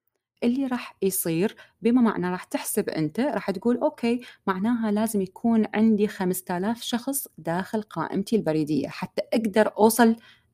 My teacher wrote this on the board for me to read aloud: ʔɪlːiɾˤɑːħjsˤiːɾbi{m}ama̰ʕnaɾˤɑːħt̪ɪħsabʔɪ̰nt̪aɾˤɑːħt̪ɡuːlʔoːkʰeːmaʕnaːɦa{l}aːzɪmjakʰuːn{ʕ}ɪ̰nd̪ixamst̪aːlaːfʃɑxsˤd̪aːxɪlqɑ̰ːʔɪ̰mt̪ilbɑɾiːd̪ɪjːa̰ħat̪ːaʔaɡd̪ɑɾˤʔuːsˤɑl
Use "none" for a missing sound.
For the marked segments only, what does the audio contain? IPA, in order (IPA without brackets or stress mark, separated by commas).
m, l, ʕ